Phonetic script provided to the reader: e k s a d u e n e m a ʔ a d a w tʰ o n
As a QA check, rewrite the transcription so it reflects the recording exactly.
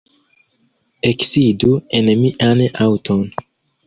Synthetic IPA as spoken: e k s i d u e n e m i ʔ a n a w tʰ o n